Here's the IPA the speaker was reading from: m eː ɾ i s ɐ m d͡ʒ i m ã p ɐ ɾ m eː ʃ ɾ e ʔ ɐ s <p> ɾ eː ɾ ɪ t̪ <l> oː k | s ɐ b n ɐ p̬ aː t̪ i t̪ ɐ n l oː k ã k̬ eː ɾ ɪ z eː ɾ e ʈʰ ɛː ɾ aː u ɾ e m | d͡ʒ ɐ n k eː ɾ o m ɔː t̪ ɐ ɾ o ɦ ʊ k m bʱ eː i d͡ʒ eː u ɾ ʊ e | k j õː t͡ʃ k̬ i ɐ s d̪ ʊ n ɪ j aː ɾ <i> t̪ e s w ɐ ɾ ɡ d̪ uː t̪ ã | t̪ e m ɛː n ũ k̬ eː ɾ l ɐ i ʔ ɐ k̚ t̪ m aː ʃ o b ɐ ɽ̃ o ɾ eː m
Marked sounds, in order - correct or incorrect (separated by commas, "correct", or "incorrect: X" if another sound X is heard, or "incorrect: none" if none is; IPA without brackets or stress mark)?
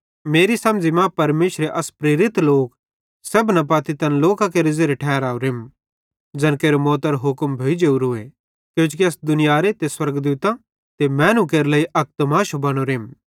correct, correct, incorrect: e